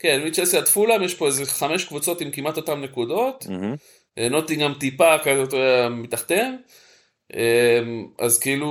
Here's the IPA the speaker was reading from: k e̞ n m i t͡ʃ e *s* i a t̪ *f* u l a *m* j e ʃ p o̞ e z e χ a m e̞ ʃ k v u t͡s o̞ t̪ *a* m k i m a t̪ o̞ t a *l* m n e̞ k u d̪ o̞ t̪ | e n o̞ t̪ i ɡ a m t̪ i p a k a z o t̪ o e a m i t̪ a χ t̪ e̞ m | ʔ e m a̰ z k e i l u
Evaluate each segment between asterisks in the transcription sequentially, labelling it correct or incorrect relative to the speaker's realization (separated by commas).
correct, correct, correct, incorrect, incorrect